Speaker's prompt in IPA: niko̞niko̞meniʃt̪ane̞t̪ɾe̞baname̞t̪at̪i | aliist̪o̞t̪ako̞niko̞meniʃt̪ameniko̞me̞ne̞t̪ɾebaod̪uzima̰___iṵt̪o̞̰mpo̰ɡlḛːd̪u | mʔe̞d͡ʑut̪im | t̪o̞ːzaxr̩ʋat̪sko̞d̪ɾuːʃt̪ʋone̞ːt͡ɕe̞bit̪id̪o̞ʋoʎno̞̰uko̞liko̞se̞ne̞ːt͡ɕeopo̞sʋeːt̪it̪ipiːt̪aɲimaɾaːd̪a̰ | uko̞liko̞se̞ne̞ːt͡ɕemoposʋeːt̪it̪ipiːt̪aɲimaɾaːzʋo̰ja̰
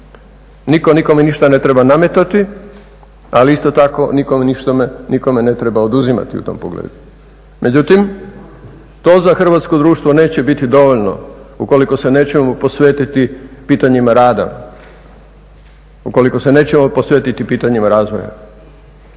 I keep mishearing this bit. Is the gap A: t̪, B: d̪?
A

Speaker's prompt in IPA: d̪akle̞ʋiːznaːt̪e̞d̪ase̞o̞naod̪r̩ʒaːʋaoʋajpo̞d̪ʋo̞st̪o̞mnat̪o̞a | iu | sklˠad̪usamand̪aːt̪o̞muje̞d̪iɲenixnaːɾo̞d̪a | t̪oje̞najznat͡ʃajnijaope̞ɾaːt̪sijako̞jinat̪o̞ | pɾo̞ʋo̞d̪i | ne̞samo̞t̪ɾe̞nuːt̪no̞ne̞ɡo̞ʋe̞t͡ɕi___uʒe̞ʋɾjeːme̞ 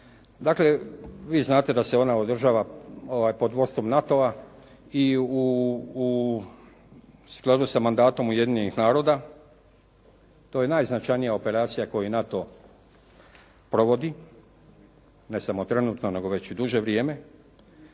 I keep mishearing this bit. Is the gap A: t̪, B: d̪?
B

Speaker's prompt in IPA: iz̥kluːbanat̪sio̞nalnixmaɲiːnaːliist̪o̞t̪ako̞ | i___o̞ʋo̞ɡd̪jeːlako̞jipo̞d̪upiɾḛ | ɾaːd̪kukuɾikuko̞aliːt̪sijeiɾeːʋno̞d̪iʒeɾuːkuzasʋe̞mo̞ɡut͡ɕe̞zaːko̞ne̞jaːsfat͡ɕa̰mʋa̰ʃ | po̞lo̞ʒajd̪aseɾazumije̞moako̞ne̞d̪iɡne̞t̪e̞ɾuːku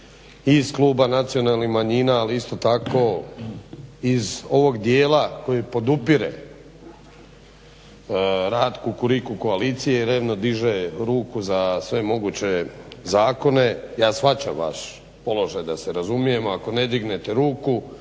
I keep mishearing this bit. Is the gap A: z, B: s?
A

